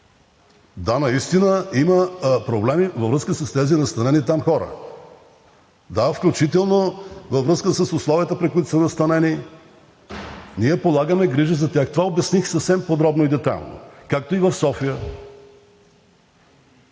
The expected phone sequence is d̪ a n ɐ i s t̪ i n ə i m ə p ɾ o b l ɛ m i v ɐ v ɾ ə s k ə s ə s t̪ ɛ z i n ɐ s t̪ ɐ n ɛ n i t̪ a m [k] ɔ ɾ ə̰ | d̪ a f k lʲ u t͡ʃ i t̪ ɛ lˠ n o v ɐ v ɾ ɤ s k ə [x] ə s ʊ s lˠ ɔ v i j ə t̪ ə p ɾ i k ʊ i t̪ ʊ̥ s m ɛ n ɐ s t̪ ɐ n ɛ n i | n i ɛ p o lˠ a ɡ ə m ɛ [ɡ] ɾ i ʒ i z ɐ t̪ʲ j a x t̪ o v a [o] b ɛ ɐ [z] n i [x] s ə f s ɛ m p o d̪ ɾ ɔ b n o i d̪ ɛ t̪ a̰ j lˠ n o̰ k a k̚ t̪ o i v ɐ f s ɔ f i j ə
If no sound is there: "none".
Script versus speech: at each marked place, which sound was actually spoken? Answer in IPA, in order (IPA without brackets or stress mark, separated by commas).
x, s, ɡ, o, s, x